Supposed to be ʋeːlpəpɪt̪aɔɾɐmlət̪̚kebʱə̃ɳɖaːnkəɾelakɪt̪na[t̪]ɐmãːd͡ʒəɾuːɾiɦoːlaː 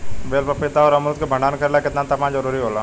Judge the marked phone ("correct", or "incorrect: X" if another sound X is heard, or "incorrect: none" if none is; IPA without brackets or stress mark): correct